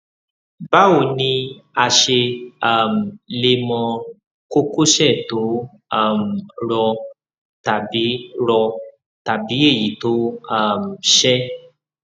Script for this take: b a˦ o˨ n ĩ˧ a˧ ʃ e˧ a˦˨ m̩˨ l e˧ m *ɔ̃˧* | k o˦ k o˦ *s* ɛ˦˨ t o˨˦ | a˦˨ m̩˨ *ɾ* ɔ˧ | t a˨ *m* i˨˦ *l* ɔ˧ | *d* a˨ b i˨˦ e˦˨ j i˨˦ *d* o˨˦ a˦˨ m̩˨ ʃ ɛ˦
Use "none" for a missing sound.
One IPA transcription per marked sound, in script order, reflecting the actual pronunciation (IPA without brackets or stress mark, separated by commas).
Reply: ɔ̃˧, ʃ, ɾ, b, ɾ, t, t